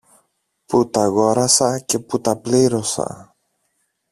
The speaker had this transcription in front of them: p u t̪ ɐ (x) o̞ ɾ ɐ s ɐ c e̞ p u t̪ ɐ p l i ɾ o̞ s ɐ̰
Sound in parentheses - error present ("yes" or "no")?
yes